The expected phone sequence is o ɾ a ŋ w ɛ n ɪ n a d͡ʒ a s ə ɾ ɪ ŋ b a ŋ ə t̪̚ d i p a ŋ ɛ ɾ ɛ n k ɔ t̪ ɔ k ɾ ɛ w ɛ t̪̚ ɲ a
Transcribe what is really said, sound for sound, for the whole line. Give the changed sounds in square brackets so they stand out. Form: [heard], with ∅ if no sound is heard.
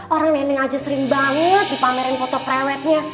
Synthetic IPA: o ɾ a ŋ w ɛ n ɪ [ŋ] a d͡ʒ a s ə ɾ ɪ ŋ b a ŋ ə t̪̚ d i p a [m] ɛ ɾ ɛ n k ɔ t̪ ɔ [p] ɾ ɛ w ɛ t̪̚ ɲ a